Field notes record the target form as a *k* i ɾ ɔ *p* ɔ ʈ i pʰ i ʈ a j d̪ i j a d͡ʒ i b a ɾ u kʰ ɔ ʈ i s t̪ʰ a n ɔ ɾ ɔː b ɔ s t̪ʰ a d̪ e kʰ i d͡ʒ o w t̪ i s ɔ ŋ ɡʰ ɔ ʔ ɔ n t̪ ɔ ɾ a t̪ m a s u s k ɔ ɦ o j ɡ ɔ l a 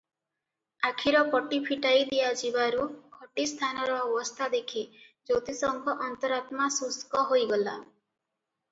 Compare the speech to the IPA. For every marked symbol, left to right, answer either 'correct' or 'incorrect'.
incorrect, correct

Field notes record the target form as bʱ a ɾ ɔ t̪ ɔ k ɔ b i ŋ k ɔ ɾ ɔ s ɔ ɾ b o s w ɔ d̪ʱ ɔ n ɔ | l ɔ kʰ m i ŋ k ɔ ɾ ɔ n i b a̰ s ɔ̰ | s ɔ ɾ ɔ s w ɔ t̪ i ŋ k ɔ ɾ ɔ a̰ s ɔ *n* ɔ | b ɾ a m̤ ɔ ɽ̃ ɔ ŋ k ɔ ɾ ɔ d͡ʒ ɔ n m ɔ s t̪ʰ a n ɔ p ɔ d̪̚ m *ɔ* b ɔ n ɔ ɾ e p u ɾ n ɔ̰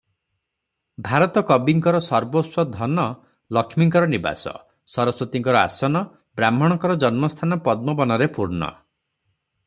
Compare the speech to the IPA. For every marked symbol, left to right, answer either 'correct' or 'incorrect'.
correct, correct

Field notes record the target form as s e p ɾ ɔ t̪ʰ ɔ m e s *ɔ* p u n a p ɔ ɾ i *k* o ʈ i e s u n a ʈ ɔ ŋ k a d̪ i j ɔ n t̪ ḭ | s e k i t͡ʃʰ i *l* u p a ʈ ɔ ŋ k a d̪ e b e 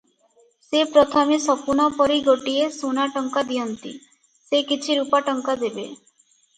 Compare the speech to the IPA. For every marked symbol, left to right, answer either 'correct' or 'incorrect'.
correct, incorrect, incorrect

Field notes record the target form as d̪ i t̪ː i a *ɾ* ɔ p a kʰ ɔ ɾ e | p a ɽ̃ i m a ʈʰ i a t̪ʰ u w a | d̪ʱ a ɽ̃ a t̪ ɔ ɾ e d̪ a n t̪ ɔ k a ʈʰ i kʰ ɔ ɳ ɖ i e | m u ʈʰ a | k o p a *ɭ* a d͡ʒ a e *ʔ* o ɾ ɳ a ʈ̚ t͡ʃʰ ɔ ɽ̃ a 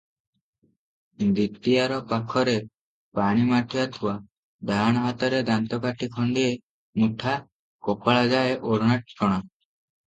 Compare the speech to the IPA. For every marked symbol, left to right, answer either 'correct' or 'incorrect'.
correct, correct, correct

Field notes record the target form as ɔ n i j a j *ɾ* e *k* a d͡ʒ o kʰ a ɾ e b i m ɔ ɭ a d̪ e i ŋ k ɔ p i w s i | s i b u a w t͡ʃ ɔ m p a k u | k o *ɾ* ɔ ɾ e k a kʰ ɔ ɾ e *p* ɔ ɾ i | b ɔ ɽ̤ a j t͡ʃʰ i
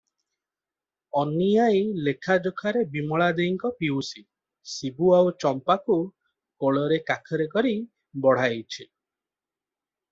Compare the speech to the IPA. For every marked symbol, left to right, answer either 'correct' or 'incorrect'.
incorrect, incorrect, incorrect, incorrect

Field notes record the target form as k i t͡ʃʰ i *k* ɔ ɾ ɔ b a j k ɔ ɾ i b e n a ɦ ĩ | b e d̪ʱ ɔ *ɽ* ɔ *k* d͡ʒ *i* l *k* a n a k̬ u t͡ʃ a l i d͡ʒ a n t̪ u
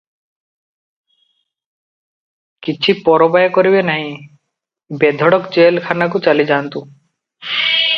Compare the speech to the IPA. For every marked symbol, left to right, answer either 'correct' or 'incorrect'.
incorrect, correct, correct, incorrect, incorrect

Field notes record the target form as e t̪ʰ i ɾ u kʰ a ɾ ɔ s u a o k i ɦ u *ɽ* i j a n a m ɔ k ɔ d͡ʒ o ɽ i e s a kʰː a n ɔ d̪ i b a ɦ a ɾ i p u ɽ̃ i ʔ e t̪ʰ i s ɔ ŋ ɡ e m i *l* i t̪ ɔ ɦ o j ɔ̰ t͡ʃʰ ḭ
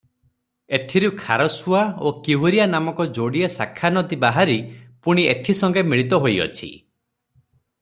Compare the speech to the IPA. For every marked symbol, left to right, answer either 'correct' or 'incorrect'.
incorrect, incorrect

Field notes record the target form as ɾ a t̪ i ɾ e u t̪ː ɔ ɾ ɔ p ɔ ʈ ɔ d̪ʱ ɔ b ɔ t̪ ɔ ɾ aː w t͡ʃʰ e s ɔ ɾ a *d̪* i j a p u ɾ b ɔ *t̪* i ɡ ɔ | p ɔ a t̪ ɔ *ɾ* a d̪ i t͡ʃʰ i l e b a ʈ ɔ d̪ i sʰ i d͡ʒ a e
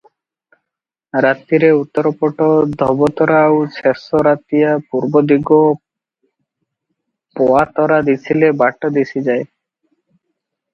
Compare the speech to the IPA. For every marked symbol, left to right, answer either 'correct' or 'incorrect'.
incorrect, incorrect, correct

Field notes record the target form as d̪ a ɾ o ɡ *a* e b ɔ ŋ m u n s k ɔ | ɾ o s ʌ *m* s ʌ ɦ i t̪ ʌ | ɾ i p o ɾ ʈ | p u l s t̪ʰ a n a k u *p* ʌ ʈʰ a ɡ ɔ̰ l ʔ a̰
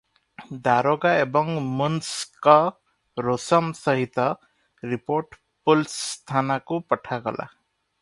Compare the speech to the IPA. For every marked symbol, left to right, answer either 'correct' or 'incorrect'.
correct, correct, correct

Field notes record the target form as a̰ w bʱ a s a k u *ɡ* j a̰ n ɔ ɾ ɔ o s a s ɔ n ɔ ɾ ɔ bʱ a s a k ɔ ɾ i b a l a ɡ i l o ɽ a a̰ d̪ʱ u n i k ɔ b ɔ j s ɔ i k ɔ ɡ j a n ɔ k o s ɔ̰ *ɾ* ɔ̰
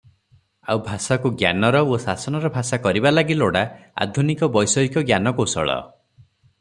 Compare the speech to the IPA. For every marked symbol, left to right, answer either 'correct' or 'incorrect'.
correct, incorrect

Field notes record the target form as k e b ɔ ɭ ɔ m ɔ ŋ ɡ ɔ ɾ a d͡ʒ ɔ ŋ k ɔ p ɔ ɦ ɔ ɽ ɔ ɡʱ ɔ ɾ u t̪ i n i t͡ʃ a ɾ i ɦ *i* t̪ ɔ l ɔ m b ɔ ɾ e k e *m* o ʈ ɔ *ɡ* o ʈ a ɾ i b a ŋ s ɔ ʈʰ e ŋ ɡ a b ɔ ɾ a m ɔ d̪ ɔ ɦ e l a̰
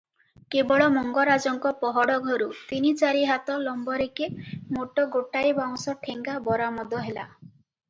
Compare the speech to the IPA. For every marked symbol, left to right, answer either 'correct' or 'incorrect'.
incorrect, correct, correct

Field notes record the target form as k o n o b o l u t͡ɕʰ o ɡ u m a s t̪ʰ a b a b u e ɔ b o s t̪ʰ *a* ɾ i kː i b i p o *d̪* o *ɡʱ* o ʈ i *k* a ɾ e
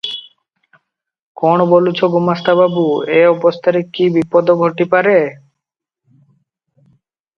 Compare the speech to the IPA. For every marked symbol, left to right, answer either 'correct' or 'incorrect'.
correct, correct, correct, incorrect

